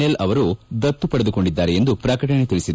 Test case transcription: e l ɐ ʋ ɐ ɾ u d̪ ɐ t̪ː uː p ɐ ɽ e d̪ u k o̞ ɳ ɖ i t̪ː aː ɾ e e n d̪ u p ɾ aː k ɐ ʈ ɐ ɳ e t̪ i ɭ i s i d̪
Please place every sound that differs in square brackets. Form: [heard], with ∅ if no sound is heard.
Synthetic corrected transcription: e l ɐ ʋ ɐ ɾ u d̪ ɐ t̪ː [u] p ɐ ɽ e d̪ u k o̞ ɳ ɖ i [d̪ː] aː ɾ e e n d̪ u p ɾ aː k ɐ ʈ ɐ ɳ e t̪ i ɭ i s i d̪